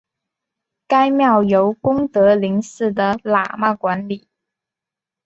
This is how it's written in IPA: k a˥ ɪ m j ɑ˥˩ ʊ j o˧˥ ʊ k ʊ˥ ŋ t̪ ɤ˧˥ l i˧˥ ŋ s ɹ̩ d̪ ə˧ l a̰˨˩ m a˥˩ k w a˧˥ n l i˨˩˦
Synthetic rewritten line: k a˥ ɪ m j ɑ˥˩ ʊ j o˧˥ ʊ k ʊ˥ ŋ t̪ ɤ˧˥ l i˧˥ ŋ s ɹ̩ d̪ ə˩ l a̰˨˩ m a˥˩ k w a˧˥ n l i˨˩˦